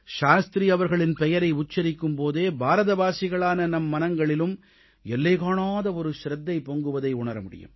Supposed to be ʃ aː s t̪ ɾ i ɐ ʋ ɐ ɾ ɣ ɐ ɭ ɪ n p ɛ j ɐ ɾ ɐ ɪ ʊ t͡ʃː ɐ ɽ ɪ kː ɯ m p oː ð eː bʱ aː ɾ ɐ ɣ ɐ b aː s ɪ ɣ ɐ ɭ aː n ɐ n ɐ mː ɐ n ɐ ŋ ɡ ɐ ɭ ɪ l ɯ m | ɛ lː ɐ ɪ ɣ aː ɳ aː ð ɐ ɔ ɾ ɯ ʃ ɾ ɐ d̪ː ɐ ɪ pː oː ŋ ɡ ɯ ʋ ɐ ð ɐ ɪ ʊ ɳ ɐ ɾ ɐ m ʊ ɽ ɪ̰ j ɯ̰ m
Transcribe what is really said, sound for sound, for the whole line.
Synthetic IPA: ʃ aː s t̪ ɾ i ɐ ʋ ɐ ɾ ɣ ɐ ɭ ɪ n p ɛ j ɐ ɾ ɐ ɪ ʊ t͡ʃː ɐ ɾ ɪ kː ɯ m p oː ð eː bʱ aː ɾ ɐ ð ɐ b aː s ɪ ɣ ɐ ɭ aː n ɐ n ɐ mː ɐ n ɐ ŋ ɡ ɐ ɭ ɪ l ɯ m | ɛ lː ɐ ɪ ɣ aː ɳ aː ð ɐ ɔ ɾ ɯ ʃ ɾ ɐ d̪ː ɐ ɪ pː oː ŋ ɡ ɯ ʋ ɐ ð ɐ ɪ ʊ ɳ ɐ ɾ ɐ m ʊ ɽ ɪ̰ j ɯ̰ m